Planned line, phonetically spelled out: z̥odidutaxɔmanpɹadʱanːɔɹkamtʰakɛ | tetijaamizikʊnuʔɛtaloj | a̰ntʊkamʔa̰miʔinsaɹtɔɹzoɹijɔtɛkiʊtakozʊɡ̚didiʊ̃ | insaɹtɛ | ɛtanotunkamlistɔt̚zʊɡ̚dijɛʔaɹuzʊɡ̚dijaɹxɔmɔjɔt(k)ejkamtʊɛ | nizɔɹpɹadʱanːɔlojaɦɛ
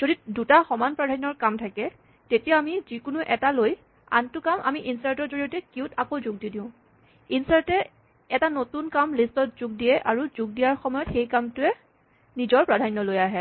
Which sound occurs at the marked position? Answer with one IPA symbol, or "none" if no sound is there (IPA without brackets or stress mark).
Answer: x